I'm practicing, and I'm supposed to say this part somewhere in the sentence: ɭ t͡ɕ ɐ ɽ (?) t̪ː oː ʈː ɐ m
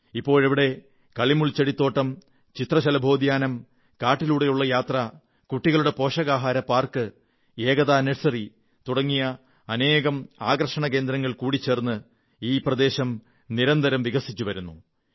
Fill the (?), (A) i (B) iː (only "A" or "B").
A